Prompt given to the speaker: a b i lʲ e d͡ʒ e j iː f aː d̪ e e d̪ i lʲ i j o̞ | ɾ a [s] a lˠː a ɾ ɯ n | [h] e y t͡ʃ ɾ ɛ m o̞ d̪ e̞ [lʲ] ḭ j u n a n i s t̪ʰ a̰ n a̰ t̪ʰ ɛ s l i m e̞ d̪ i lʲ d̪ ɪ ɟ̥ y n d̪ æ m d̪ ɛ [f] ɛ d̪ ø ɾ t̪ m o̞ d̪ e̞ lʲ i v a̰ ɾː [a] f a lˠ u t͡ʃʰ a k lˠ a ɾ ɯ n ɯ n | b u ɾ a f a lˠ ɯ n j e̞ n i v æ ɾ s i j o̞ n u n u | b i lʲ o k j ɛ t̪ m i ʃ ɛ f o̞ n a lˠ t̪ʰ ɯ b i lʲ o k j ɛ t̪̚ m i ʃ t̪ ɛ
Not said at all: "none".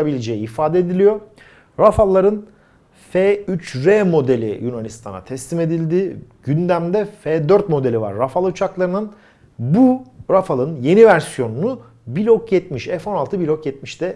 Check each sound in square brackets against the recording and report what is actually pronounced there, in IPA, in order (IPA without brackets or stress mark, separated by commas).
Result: f, f, lʲ, f, a